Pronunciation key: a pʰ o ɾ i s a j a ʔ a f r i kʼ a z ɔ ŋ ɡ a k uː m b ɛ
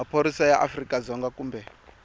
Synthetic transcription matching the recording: a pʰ o ɾ i s a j a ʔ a f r i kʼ a z ɔ ŋ ɡ a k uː m b ɛ